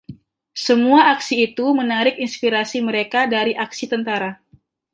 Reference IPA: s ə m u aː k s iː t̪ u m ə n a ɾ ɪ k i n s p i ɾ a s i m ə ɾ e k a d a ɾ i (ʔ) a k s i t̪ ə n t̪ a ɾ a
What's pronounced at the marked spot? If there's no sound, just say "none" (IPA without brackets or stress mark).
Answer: ʔ